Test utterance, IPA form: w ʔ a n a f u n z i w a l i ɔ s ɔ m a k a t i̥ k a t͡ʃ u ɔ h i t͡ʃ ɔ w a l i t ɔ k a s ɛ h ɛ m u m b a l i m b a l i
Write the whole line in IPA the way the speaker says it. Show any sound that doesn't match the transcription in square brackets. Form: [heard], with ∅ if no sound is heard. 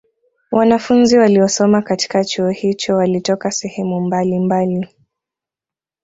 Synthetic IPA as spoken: w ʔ a n a f u n z i w a l i ɔ s ɔ m a k a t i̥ k a t͡ʃ u ɔ h i t͡ʃ ɔ w a l i t ɔ k a s ɛ h ɛ m u m b a l i m b a l i